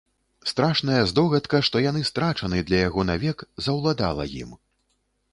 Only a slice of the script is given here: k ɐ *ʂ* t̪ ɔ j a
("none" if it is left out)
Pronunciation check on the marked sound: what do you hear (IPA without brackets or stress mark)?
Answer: ʂ